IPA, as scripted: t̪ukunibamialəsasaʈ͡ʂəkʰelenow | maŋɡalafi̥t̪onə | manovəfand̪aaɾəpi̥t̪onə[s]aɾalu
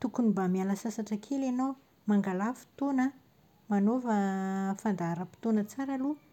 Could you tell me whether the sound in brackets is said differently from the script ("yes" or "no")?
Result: yes